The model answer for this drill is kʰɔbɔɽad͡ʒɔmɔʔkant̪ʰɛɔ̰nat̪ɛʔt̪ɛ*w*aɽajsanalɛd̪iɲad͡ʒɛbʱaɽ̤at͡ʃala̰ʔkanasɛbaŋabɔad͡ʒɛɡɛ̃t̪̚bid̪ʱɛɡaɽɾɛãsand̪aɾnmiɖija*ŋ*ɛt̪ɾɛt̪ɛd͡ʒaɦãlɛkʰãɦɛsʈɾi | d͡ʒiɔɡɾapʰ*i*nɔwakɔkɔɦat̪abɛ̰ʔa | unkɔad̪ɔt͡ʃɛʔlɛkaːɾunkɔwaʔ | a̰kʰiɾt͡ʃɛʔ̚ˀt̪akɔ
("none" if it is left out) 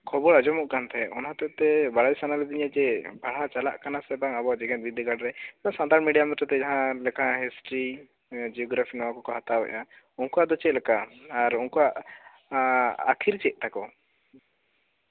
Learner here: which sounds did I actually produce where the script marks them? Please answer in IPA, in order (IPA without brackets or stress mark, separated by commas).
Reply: b, m, i